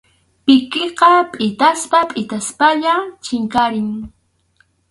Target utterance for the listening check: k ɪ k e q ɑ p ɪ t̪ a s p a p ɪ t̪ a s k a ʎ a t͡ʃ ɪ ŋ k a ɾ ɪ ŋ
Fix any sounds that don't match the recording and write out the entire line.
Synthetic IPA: p ɪ k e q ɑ pʼ ɪ t̪ a s p a pʼ ɪ t̪ a s p a ʎ a t͡ʃ ɪ ŋ k a ɾ ɪ ŋ